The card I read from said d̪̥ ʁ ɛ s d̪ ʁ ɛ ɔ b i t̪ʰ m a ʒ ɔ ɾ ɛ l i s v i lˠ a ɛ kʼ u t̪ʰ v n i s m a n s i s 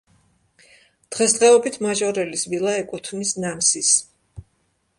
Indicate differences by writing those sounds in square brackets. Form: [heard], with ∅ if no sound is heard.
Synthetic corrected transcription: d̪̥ ʁ ɛ s d̪ ʁ ɛ ɔ b i t̪ʰ m a ʒ ɔ ɾ ɛ l i s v i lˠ a ɛ kʼ u t̪ʰ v n i s [n] a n s i s

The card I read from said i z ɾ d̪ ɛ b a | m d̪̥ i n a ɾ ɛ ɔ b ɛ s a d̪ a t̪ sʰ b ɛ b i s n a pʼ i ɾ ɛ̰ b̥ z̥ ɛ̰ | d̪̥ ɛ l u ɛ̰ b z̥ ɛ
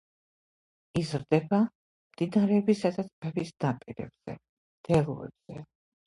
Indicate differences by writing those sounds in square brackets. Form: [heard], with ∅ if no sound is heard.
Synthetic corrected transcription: i z ɾ d̪ ɛ b a | m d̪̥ i n a ɾ ɛ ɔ b [i] s a d̪ a t̪ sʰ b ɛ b i s n a pʼ i ɾ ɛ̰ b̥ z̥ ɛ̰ | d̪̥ ɛ l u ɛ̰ b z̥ ɛ

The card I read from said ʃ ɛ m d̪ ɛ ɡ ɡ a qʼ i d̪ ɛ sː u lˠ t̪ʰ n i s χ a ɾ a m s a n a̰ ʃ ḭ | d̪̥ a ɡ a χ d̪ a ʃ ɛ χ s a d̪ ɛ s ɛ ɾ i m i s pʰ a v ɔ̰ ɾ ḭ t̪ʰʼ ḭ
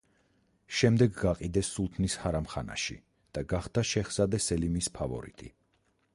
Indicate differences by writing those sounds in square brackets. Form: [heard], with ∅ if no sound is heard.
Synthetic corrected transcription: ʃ ɛ m d̪ ɛ ɡ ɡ a qʼ i d̪ ɛ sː u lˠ t̪ʰ n i s [h] a ɾ a m [χ] a n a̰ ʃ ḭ | d̪̥ a ɡ a χ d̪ a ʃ ɛ χ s a d̪ ɛ s ɛ [l] i m i s pʰ a v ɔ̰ ɾ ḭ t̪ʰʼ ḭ

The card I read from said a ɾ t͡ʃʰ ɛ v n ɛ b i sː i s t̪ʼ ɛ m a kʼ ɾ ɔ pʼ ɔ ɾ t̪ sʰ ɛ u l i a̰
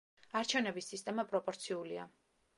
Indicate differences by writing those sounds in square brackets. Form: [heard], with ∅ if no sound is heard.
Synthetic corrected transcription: a ɾ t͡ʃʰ ɛ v n ɛ b i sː i s t̪ʼ ɛ m a [pʼ] ɾ ɔ pʼ ɔ ɾ t̪ sʰ [i] u l i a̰

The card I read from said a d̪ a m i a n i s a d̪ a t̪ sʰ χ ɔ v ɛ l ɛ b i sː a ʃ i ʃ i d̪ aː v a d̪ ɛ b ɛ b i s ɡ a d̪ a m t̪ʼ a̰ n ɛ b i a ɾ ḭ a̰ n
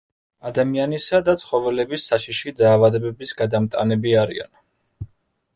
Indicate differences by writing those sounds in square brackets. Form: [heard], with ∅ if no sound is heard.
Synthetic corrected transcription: a d̪ a m i a n i s a d̪ a t̪ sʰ χ ɔ v ɛ l ɛ b i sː a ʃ i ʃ i d̪ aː v a d̪ ɛ b ɛ b i s ɡ a d̪ a m t̪ʼ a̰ n ɛ b i a ɾ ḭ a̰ n

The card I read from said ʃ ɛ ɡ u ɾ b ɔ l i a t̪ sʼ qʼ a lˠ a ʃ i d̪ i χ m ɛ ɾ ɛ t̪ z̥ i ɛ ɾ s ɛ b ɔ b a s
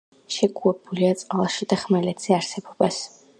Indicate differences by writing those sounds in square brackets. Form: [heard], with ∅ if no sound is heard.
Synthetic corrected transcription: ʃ ɛ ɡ u ɾ b [u] l i a t̪ sʼ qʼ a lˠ a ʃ i d̪ [a] χ m ɛ [l] ɛ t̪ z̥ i [a] ɾ s ɛ b ɔ b a s

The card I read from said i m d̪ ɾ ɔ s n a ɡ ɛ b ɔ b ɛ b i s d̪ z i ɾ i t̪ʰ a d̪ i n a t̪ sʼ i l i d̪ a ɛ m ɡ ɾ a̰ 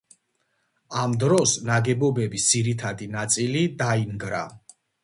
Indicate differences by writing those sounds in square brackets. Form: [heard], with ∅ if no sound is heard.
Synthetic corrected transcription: [a] m d̪ ɾ ɔ s n a ɡ ɛ b ɔ b ɛ b i s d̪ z i ɾ i t̪ʰ a d̪ i n a t̪ sʼ i l i d̪ a [i] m ɡ ɾ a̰

